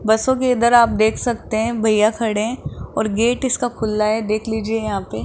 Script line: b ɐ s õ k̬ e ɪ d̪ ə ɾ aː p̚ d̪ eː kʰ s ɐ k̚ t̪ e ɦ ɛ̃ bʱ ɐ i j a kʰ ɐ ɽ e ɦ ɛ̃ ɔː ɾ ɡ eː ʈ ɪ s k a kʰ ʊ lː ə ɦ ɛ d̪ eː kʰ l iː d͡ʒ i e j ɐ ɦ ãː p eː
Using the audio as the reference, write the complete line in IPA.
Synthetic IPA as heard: b ɐ s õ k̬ e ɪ d̪ ə ɾ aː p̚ d̪ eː kʰ s ɐ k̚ t̪ e ɦ ɛ̃ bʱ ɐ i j a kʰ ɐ ɽ e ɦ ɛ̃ ɔː ɾ ɡ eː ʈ ɪ s k a kʰ ʊ lː a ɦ ɛ d̪ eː kʰ l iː d͡ʒ i e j ɐ ɦ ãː p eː